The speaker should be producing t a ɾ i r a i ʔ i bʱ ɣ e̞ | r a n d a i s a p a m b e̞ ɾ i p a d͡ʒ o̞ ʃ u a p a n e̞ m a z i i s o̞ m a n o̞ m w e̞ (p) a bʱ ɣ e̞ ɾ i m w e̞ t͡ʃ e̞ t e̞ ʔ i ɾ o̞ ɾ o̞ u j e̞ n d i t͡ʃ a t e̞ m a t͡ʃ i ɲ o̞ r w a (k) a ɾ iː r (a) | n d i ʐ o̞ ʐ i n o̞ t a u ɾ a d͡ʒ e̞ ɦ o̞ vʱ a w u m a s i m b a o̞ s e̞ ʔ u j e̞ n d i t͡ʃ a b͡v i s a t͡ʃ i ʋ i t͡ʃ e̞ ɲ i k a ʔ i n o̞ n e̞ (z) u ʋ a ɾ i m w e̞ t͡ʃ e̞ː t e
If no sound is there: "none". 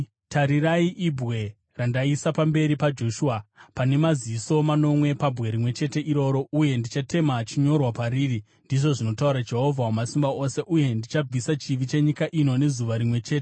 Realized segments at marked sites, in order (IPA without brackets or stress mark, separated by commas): p, p, i, z